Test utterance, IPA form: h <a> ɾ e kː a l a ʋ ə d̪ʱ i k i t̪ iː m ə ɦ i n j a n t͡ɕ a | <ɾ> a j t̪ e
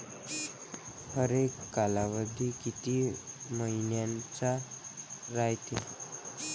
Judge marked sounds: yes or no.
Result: no, yes

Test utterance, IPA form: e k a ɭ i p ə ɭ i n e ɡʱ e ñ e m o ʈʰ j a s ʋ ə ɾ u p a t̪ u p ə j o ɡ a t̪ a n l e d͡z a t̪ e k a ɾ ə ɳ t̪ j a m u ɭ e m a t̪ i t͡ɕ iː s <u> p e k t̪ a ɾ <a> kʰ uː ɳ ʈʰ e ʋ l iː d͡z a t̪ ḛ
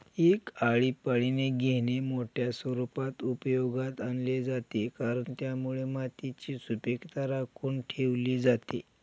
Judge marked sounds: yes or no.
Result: yes, yes

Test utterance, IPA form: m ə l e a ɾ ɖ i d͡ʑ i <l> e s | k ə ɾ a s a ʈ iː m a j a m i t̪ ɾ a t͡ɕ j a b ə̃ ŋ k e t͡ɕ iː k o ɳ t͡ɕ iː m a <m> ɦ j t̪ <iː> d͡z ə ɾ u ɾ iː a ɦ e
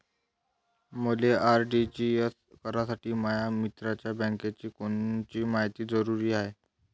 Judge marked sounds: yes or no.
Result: no, no, yes

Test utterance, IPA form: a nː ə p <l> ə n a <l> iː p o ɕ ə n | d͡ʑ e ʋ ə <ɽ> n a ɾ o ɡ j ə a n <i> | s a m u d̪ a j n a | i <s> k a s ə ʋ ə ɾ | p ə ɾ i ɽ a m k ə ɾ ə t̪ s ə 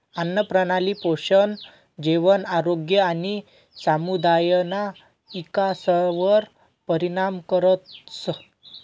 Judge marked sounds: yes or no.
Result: no, yes, no, yes, no

